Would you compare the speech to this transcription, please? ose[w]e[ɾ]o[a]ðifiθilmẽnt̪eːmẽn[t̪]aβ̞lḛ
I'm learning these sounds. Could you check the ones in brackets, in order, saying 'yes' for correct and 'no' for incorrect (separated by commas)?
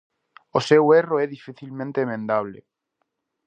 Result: yes, no, no, no